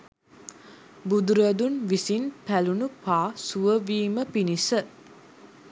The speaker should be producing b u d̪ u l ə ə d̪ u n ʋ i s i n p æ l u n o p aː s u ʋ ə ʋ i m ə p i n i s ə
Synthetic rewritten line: b u d̪ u ɾ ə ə d̪ u n ʋ i s i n p æ l u n u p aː s u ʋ ə ʋ iː m ə p i n i s ə